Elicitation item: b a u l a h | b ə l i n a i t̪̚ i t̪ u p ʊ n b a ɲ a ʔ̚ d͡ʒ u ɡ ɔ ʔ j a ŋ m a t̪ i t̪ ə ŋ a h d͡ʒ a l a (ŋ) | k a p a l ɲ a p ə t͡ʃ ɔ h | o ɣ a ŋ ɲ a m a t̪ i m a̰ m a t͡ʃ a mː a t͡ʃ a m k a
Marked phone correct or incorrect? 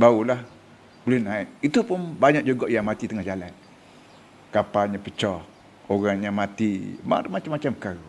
incorrect